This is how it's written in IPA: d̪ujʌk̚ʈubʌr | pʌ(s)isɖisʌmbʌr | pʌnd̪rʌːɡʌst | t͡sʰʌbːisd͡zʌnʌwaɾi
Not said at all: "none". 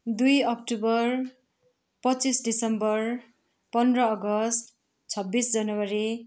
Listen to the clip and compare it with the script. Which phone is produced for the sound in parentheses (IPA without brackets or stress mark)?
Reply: t͡s